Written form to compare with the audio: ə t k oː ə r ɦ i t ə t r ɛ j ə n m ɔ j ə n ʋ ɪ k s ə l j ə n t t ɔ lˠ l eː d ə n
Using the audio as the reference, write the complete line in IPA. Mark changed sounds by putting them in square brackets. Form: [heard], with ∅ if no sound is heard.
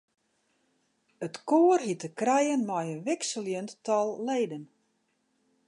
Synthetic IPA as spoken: ə t k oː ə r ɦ i t ə [k] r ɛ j ə n m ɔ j ə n ʋ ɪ k s ə l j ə n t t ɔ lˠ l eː d ə n